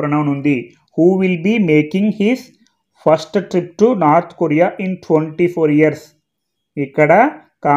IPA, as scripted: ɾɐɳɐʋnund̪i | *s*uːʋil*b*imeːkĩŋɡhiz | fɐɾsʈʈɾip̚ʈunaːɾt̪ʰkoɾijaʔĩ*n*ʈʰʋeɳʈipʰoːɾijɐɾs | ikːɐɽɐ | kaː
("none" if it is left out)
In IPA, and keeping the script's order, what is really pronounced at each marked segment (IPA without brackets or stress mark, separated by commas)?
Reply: h, b, n